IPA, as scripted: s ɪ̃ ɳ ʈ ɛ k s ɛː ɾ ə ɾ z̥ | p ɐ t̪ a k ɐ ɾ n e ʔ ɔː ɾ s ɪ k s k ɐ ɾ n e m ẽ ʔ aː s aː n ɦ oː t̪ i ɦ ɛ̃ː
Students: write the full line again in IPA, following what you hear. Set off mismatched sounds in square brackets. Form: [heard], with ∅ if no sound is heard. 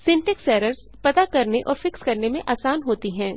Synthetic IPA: s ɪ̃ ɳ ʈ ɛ k s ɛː ɾ ə ɾ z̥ | p ɐ t̪ a k ɐ ɾ n e ʔ ɔː ɾ [f] ɪ k s k ɐ ɾ n e m ẽ ʔ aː s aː n ɦ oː t̪ i ɦ ɛ̃ː

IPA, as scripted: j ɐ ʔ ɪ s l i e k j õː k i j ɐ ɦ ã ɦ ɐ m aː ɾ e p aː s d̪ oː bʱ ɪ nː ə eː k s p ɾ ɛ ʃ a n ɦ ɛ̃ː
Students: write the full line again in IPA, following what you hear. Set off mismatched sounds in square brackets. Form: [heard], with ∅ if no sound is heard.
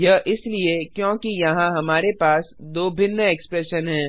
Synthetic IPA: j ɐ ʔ ɪ s l i e k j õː k i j ɐ ɦ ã ɦ ɐ m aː ɾ e p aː s d̪ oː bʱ ɪ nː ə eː k s p ɾ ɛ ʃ [ə] n ɦ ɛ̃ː

